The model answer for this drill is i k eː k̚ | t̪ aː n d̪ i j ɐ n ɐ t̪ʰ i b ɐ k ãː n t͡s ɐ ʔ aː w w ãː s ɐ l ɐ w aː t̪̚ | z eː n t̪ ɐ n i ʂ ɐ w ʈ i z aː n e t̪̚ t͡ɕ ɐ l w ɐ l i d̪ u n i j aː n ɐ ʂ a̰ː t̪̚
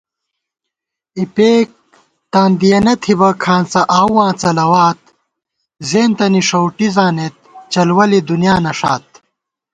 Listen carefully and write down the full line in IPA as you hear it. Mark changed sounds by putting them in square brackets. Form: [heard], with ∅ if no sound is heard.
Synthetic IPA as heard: i [p] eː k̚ | t̪ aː n d̪ i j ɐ n ɐ t̪ʰ i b ɐ [kʰ] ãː n t͡s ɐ ʔ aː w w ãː [t͡s] ɐ l ɐ w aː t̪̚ | z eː n t̪ ɐ n i ʂ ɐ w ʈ i z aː n e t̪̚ t͡ɕ ɐ l w ɐ l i d̪ u n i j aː n ɐ ʂ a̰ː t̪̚